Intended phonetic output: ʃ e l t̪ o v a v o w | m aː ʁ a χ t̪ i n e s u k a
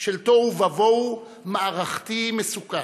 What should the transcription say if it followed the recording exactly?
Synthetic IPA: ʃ e l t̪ o v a v o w | m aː ʁ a χ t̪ i m e s u k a